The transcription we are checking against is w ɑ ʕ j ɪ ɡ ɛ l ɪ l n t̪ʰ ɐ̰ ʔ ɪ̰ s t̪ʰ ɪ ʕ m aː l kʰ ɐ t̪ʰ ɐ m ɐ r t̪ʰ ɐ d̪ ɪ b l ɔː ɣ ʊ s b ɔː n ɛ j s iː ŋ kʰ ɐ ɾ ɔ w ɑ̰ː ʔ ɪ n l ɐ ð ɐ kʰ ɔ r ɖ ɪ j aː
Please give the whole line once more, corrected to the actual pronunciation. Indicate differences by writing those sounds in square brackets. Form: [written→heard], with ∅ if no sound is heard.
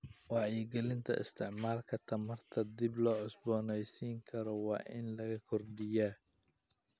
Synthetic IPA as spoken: w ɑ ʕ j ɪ ɡ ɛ l ɪ [l→∅] n t̪ʰ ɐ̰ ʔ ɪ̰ s t̪ʰ ɪ ʕ m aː l kʰ ɐ t̪ʰ ɐ m ɐ r t̪ʰ ɐ d̪ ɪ b l ɔː [ɣ→ʕ] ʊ s b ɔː n ɛ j s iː ŋ kʰ ɐ ɾ ɔ w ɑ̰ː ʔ ɪ n l ɐ [ð→ɣ] ɐ kʰ ɔ r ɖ ɪ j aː